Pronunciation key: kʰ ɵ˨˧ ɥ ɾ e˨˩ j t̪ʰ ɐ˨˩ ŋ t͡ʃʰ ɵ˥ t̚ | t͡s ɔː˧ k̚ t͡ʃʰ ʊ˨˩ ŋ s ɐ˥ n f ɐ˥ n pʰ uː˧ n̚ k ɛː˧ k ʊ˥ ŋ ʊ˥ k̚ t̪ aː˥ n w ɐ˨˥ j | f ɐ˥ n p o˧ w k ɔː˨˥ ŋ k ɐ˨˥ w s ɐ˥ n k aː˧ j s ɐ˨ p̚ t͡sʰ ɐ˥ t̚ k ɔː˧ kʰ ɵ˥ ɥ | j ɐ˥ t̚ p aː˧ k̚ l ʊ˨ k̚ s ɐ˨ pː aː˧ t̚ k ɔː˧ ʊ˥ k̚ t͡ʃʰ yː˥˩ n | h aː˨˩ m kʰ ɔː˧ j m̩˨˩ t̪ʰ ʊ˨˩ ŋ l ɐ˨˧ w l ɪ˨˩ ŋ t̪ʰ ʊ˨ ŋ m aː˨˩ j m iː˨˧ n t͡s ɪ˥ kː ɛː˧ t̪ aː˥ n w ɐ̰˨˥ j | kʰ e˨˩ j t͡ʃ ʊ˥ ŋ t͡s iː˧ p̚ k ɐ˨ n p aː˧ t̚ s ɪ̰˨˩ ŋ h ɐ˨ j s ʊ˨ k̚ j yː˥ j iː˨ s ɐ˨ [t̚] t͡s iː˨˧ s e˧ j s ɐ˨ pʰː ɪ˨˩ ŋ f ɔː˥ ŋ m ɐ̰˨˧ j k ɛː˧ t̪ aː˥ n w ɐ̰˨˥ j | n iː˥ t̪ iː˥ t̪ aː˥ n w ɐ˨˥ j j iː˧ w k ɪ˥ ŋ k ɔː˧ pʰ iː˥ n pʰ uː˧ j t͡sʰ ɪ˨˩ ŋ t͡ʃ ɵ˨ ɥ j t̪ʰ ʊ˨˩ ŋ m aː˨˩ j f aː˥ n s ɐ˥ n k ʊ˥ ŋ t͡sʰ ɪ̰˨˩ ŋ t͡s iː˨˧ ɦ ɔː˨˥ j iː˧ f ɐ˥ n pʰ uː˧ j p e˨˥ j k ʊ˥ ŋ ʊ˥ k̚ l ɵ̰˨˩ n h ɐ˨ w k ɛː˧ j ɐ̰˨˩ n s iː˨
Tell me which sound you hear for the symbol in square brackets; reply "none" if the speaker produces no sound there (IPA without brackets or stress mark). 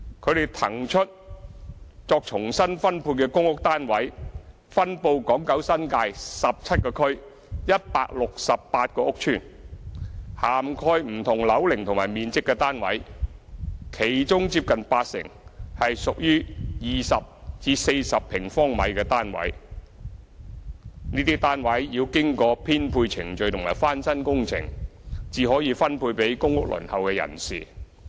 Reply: p̚